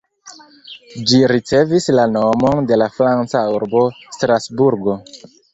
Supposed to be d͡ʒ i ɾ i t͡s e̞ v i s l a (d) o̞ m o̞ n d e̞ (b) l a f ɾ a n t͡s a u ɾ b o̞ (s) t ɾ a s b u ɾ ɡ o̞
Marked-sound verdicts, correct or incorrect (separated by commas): incorrect, incorrect, correct